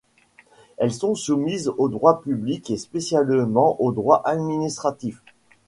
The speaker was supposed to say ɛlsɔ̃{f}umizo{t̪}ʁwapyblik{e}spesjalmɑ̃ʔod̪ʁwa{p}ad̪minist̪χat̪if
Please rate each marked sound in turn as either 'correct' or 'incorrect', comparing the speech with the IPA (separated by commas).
incorrect, incorrect, correct, incorrect